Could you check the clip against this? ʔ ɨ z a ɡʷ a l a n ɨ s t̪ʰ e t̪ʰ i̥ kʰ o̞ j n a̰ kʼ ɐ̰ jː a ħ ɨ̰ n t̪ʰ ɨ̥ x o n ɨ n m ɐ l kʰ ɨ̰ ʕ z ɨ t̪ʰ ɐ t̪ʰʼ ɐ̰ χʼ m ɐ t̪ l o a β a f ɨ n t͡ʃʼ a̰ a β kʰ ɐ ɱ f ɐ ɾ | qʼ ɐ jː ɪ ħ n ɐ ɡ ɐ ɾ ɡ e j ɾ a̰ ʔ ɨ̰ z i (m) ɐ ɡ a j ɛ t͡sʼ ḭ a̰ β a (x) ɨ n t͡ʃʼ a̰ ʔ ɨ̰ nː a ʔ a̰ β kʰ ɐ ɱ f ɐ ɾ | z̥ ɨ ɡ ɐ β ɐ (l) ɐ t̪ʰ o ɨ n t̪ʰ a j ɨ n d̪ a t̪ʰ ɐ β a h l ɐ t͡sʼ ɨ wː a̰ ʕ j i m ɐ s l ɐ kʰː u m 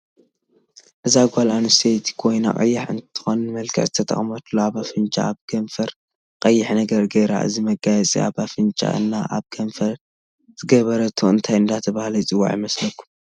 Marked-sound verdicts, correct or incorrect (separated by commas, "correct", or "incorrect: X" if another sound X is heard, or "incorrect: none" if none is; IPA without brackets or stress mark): correct, incorrect: f, incorrect: ɾ